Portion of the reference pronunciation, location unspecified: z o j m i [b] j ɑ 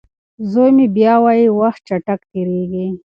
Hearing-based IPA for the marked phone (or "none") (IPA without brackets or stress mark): b